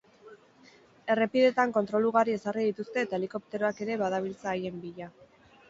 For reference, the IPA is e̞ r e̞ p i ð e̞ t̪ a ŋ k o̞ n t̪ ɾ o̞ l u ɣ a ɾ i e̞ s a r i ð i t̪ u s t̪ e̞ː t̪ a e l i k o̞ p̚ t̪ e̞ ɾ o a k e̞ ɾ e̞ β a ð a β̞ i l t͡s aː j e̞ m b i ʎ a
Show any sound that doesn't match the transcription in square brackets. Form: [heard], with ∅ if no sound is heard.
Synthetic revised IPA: e̞ r e̞ p i ð e̞ t̪ a ŋ k o̞ n t̪ ɾ o̞ l u ɣ a ɾ i e̞ s a r i ð i t̪ u s t̪ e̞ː t̪ a e l i k o̞ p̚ t̪ e̞ ɾ o a k e̞ ɾ e̞ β a ð a β̞ i l t͡s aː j e̞ m b i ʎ a